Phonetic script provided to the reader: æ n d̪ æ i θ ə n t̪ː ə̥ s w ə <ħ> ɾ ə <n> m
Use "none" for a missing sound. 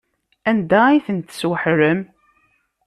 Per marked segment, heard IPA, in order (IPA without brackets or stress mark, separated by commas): ħ, none